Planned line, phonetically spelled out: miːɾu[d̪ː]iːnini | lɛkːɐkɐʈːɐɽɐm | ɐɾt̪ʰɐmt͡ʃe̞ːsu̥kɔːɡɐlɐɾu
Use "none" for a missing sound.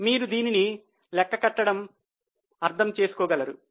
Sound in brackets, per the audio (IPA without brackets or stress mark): d̪